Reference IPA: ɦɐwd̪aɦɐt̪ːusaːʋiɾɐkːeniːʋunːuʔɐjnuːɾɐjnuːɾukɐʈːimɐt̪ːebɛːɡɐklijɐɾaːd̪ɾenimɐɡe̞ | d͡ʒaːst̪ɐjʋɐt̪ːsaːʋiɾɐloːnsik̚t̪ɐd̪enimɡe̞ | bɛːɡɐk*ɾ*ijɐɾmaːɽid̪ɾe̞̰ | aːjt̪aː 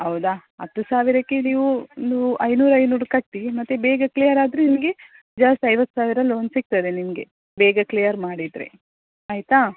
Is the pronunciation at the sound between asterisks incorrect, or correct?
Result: incorrect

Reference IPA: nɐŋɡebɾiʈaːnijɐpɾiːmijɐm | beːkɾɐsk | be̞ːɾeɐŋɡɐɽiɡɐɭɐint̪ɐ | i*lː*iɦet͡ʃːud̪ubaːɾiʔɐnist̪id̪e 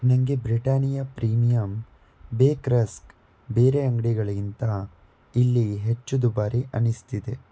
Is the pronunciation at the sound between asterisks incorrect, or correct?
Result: correct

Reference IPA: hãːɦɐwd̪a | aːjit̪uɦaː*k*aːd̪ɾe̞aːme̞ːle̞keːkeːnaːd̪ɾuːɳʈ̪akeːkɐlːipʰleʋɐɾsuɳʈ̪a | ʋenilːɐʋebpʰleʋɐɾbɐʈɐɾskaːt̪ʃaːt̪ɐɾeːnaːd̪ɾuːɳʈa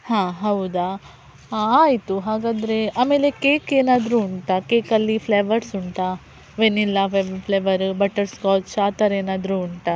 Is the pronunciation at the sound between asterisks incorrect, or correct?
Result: incorrect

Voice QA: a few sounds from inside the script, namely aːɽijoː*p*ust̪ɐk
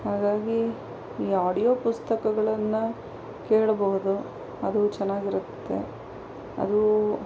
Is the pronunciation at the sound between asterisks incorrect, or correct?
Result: correct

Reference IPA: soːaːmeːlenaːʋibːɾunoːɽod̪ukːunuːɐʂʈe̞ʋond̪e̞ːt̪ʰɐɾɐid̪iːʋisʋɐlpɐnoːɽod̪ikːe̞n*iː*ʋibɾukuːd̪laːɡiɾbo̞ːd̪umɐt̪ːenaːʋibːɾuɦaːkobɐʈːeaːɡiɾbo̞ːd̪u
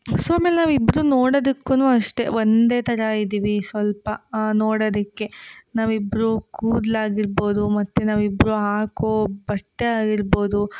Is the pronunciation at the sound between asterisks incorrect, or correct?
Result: incorrect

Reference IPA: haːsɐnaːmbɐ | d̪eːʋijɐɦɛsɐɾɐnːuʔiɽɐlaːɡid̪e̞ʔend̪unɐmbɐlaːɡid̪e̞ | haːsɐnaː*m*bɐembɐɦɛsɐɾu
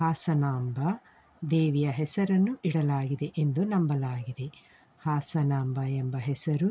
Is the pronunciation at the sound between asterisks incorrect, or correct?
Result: correct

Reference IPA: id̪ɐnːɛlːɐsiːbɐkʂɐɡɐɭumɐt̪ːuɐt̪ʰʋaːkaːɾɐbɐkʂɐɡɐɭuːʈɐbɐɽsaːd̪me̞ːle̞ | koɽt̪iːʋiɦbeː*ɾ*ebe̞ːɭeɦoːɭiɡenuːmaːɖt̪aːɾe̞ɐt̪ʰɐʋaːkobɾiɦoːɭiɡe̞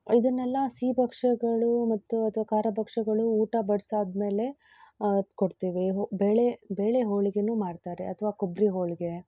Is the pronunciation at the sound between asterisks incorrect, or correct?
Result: incorrect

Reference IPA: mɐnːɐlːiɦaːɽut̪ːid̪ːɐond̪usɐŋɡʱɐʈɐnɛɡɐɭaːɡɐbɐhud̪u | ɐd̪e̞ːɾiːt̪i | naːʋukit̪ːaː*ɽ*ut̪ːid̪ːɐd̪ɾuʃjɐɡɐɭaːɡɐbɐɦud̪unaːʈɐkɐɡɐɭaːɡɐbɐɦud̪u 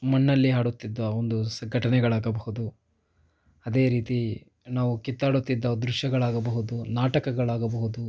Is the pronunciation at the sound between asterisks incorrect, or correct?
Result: correct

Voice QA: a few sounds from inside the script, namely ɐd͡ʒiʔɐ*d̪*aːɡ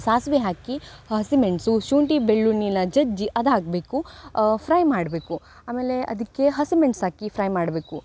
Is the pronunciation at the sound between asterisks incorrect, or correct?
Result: correct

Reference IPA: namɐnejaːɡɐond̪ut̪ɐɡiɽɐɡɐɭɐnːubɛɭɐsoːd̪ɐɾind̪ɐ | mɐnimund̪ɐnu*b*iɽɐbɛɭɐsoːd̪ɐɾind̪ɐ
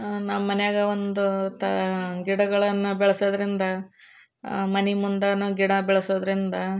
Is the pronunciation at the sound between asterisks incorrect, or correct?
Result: incorrect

